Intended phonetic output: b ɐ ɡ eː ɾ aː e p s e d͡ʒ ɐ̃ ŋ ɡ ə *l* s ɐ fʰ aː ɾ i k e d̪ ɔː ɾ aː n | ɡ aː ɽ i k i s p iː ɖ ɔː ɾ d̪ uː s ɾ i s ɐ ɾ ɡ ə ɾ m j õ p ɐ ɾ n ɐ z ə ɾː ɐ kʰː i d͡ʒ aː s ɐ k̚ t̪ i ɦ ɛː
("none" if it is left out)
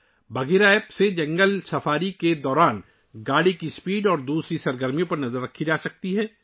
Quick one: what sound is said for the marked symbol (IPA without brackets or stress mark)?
l